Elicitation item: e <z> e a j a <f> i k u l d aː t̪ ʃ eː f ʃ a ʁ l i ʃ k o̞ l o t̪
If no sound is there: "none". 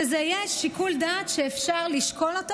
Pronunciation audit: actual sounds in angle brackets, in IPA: z, ʃ

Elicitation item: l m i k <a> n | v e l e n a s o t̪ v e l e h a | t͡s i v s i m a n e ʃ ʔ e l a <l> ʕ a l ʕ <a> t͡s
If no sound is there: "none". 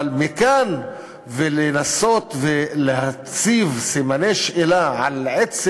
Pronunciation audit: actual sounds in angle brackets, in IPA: a, none, e

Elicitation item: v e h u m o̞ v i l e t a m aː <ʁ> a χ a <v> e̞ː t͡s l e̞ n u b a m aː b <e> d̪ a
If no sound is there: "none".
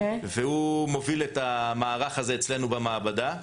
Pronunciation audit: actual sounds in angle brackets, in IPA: ʁ, z, a

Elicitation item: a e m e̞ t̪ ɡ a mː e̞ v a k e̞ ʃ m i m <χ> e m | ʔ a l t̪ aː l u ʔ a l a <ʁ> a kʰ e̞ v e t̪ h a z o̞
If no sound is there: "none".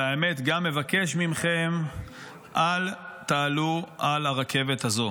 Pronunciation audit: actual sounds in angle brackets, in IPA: χ, ʁ

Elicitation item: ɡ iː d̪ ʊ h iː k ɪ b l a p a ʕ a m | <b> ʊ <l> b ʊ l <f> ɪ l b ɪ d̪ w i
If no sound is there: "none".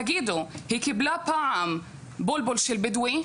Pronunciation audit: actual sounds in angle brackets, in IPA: b, l, ʃ

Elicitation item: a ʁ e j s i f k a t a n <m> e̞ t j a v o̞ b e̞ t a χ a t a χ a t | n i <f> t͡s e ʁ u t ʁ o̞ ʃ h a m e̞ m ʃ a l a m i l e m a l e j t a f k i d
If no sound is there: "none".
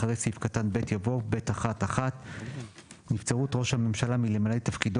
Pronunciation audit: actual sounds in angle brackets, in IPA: b, f

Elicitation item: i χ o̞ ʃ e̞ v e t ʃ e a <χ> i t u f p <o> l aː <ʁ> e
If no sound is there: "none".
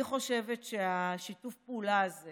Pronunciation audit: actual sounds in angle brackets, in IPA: ʃ, u, z

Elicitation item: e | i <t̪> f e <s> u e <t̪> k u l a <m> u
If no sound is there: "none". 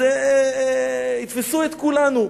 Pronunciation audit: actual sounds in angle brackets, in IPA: t̪, s, t̪, n

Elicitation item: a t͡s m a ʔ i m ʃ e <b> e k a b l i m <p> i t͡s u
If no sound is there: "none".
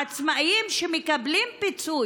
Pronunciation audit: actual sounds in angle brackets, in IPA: m, p

